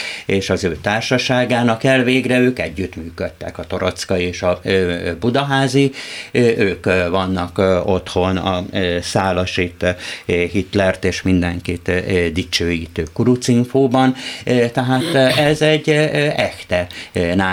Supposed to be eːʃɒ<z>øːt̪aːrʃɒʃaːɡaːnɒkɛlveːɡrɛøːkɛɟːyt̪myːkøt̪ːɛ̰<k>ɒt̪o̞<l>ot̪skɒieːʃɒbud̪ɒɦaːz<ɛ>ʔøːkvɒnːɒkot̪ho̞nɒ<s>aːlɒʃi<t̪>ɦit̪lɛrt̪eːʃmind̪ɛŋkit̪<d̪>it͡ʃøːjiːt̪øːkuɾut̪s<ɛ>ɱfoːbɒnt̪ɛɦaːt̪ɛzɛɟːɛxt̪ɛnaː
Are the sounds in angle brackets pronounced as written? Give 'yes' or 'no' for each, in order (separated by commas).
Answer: yes, yes, no, no, yes, yes, yes, no